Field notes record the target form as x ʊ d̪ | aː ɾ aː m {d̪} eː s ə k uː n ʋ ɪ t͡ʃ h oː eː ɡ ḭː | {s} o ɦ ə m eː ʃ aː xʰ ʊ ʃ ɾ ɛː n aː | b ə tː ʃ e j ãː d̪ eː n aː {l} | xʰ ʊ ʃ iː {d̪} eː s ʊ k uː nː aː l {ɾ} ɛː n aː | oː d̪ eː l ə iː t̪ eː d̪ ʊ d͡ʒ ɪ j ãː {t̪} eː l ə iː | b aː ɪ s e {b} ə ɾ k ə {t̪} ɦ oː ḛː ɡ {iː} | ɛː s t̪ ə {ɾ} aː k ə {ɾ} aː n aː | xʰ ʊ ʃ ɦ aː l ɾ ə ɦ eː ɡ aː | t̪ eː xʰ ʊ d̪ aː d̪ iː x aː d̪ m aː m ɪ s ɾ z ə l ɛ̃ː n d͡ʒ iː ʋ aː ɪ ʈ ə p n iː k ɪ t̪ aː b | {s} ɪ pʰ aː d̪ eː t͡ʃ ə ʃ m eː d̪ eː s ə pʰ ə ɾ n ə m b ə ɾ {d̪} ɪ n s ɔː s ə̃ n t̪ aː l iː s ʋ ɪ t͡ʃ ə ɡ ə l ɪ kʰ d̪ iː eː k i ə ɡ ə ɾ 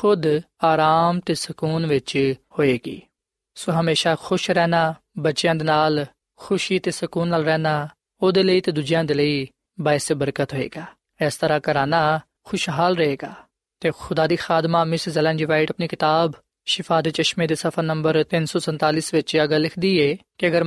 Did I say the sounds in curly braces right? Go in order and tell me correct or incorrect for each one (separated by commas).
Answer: incorrect, correct, correct, incorrect, correct, incorrect, correct, correct, incorrect, correct, correct, incorrect, incorrect